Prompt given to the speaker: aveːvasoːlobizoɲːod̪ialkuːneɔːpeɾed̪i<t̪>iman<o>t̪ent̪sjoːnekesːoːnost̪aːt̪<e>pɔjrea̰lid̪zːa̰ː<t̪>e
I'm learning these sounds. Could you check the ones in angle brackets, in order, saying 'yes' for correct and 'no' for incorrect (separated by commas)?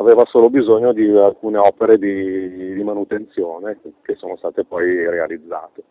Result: no, no, yes, yes